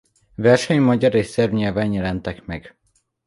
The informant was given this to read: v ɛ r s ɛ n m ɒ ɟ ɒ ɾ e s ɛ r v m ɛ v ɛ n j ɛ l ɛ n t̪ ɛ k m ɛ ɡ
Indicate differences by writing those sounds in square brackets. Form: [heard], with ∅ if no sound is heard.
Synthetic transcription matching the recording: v ɛ r [ʃ] ɛ [ɲ] m ɒ ɟ ɒ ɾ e s ɛ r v [ɲ] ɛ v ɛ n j ɛ l ɛ n t̪ ɛ k m ɛ ɡ